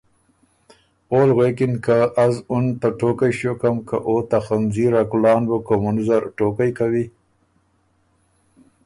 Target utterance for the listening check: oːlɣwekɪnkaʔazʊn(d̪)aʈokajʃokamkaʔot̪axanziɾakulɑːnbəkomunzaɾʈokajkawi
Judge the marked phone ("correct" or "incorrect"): incorrect